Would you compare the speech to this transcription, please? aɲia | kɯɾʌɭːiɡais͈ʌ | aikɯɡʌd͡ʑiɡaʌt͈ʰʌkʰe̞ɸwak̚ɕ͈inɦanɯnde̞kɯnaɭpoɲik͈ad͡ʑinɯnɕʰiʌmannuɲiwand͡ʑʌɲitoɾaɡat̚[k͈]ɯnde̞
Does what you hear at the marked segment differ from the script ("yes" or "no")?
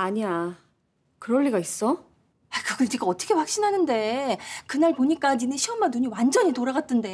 yes